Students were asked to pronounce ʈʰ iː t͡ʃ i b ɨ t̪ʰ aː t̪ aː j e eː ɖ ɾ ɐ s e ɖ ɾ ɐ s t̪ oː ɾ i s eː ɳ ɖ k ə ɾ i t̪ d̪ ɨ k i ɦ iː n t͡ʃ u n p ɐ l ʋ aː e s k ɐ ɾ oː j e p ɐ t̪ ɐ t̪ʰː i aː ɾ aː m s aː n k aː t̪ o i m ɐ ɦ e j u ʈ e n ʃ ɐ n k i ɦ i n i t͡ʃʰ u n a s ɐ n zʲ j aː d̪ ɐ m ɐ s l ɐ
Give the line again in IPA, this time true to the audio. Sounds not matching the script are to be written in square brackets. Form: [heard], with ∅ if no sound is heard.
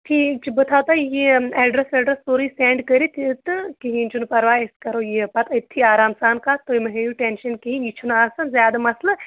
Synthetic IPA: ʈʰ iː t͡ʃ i b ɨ t̪ʰ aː t̪ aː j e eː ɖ ɾ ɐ s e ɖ ɾ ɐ s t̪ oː ɾ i s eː ɳ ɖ k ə ɾ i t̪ [t̪] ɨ k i ɦ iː n t͡ʃ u n p ɐ [ɾ] ʋ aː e s k ɐ ɾ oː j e p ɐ t̪ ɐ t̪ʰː i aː ɾ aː m s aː n k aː t̪ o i m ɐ ɦ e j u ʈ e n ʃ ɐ n k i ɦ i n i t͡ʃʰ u n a s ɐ n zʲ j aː d̪ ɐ m ɐ s l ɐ